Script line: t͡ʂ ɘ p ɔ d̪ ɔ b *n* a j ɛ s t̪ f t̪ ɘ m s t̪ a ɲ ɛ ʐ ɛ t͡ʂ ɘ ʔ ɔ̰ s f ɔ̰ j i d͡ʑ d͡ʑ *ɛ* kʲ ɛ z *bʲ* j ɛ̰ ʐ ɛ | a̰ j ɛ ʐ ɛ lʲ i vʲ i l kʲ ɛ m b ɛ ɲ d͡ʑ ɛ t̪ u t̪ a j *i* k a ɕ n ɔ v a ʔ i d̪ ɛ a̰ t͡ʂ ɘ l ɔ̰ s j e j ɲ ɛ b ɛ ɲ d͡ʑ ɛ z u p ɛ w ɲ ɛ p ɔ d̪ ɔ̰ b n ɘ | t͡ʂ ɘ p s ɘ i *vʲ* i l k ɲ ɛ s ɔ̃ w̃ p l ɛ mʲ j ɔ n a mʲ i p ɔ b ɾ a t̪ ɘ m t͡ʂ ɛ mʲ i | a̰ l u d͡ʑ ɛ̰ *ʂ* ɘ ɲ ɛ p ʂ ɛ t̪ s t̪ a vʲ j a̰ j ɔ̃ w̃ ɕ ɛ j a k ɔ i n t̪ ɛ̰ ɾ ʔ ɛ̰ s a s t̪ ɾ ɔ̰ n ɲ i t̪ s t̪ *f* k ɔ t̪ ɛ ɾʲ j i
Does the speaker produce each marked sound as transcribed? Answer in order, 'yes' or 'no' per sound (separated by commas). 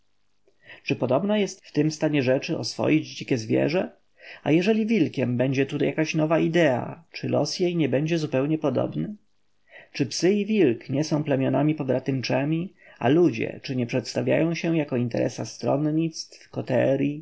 yes, no, no, no, yes, no, yes